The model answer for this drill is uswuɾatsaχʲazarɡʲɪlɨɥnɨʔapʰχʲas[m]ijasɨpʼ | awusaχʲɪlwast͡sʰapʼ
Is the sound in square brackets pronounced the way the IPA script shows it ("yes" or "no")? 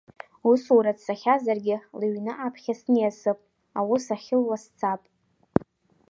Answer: no